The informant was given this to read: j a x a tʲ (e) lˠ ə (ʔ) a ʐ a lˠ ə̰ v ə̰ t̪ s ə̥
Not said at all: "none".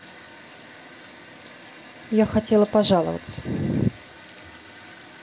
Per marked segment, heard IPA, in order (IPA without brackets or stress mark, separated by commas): e, p